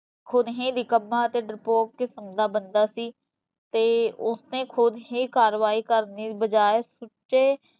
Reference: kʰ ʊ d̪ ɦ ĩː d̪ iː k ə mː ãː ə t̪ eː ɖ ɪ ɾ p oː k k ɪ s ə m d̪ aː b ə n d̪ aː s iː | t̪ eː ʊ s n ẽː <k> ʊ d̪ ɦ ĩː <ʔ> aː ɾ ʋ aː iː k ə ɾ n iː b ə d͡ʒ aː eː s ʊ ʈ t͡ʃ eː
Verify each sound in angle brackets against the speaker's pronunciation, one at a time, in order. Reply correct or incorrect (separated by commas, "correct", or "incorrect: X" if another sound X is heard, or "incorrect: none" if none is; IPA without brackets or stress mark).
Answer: incorrect: kʰ, incorrect: k